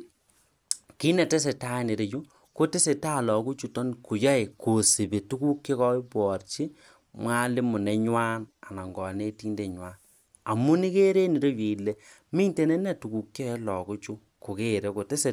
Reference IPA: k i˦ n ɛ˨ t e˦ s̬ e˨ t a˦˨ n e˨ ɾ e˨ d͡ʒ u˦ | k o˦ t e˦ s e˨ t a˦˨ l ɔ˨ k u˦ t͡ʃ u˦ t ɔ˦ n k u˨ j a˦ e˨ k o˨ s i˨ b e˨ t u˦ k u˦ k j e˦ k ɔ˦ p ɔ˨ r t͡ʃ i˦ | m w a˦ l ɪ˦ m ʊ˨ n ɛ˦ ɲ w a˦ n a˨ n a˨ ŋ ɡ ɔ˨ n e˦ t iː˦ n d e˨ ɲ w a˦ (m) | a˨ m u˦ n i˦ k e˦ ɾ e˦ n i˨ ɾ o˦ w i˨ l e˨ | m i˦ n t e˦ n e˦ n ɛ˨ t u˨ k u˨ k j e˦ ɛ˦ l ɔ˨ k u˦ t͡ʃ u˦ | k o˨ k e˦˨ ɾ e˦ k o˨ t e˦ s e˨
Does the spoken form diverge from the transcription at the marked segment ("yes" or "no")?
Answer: yes